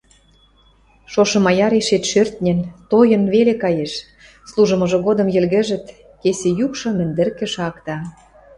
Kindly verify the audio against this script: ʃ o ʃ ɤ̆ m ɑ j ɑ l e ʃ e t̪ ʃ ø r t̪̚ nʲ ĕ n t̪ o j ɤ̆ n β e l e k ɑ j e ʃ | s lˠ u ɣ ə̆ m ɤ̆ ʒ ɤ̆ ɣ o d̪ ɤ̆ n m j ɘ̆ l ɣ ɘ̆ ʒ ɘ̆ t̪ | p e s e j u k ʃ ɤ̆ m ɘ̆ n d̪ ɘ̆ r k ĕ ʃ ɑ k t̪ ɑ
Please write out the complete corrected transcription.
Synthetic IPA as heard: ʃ o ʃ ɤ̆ m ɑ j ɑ ɾ e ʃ e t̪ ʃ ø r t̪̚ nʲ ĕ n t̪ o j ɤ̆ n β e l e k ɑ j e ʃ | s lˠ u ʒ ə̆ m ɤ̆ ʒ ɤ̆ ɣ o d̪ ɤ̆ m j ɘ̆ l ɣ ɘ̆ ʒ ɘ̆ t̪ | k e s e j u k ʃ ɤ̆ m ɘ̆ n d̪ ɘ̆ r k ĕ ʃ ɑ k t̪ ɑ